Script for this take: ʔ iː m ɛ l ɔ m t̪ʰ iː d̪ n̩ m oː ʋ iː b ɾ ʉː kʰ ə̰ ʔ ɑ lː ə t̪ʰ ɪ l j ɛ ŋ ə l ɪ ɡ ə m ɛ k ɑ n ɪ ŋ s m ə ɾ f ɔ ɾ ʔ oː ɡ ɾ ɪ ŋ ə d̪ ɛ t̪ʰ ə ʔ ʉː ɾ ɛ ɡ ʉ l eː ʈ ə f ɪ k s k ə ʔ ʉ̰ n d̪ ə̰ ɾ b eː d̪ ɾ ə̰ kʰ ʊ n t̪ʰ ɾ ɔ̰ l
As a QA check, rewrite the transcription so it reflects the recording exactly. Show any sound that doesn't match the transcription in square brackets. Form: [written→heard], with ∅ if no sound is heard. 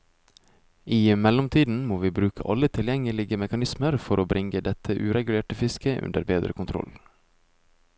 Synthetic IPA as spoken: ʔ iː m ɛ l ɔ m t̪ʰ iː d̪ n̩ m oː ʋ iː b ɾ ʉː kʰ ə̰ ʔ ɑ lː ə t̪ʰ ɪ l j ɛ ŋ ə l ɪ ɡ ə m ɛ k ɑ n ɪ [ŋ→∅] s m ə ɾ f ɔ ɾ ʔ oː [ɡ→b] ɾ ɪ ŋ ə d̪ ɛ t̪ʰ ə ʔ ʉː ɾ ɛ ɡ ʉ l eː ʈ ə f ɪ [k→∅] s k ə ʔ ʉ̰ n d̪ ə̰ ɾ b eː d̪ ɾ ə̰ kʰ ʊ n t̪ʰ ɾ ɔ̰ l